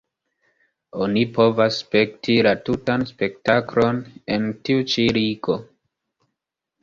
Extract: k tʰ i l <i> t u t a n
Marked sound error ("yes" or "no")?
yes